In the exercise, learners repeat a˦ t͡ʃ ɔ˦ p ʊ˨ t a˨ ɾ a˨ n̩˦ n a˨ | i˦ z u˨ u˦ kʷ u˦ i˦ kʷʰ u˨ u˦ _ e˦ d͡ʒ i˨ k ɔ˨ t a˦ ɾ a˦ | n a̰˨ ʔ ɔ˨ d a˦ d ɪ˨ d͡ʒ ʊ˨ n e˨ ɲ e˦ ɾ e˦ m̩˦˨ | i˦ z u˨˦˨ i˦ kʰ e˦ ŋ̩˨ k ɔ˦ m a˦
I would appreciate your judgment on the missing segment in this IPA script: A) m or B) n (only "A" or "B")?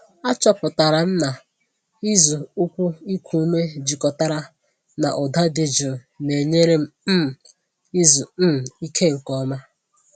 A